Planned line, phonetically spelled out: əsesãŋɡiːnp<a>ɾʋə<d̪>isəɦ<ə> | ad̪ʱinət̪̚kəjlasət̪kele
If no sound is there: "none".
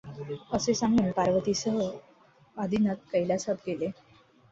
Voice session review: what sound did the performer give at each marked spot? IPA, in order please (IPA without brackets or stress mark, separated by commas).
a, t̪, ə